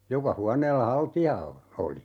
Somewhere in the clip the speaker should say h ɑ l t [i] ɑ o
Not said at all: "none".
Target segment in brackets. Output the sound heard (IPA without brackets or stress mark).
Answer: i